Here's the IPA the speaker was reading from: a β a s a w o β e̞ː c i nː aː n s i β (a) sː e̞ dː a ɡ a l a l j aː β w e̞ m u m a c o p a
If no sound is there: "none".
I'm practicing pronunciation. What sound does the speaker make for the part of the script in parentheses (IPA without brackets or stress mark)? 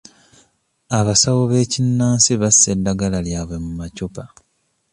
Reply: a